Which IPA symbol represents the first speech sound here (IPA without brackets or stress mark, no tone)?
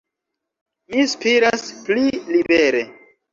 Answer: m